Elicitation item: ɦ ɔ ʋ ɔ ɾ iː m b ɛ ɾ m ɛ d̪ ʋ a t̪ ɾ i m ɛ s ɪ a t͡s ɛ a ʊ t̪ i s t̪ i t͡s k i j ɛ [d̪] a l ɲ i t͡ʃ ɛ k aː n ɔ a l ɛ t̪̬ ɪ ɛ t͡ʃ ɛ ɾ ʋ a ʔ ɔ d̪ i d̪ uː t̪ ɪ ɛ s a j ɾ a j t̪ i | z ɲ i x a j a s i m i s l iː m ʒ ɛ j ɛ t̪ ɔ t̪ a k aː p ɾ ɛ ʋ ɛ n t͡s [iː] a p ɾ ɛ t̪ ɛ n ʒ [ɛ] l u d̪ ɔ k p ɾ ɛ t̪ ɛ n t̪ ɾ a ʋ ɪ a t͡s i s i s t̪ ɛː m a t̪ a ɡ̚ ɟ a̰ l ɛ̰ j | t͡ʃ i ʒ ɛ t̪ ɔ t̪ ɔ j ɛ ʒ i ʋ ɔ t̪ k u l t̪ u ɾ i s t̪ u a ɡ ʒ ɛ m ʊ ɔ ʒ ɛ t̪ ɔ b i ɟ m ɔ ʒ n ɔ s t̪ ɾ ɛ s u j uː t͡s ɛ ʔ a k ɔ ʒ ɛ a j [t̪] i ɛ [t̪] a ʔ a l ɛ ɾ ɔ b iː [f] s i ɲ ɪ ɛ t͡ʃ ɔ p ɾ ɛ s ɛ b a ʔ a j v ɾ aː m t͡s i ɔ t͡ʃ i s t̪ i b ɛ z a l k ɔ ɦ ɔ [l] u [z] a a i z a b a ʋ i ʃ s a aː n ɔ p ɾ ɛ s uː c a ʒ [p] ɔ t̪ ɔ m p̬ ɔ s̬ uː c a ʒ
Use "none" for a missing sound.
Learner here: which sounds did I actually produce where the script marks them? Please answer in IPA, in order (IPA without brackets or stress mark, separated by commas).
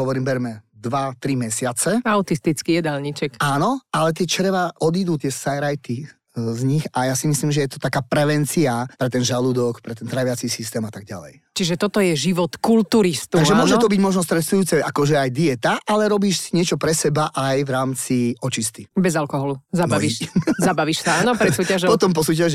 d̪, i, a, d̪, t̪, ʃ, l, z, p